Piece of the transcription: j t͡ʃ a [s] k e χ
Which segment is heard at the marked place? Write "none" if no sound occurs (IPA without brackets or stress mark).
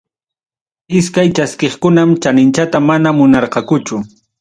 s